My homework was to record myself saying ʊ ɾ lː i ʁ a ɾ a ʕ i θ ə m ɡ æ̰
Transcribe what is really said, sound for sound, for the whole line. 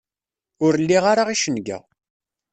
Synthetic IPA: ʊ ɾ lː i ʁ a ɾ a ʁ i ʃ ə n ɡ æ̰